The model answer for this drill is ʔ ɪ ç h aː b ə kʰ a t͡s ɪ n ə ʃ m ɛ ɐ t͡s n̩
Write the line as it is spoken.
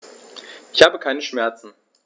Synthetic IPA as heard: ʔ ɪ ç h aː b ə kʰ a ɪ n ə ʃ m ɛ ɐ t͡s n̩

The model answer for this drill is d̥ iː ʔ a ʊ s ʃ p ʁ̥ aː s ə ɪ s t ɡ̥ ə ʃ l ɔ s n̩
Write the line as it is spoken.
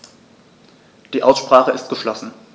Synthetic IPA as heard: d̥ iː ʔ a ʊ s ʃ p ʁ̥ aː χ ə ɪ s t ɡ̥ ə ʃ l ɔ s n̩

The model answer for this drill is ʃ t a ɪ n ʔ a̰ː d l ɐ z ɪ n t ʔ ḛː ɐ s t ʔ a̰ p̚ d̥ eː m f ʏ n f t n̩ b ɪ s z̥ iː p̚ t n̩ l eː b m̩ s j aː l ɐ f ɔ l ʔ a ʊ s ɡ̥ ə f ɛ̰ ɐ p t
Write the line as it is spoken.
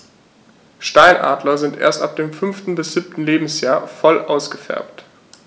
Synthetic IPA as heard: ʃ t a ɪ n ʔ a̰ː d l ɐ z ɪ n t ʔ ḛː ɐ s t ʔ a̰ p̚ d̥ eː m f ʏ n f t n̩ b ɪ s z̥ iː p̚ t n̩ l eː b m̩ s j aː ɐ f ɔ l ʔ a ʊ s ɡ̥ ə f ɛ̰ ɐ p t

